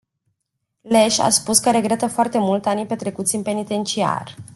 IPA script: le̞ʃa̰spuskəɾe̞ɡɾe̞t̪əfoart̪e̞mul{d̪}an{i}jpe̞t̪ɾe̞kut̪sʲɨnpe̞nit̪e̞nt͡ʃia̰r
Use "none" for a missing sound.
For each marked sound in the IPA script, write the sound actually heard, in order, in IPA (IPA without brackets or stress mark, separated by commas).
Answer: t̪, i